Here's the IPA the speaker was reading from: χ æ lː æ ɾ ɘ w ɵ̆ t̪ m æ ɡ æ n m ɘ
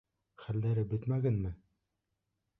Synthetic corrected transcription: χ æ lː æ ɾ ɘ b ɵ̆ t̪ m æ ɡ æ n m ɘ